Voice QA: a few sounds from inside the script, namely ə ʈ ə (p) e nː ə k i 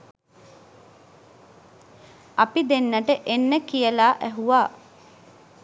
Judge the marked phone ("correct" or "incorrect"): incorrect